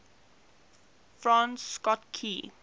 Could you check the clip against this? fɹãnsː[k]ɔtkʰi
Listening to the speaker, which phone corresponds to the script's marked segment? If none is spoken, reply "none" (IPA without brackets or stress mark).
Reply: k